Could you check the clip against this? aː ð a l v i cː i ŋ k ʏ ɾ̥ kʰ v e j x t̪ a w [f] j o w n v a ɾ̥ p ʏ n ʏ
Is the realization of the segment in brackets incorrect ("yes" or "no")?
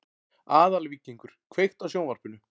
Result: yes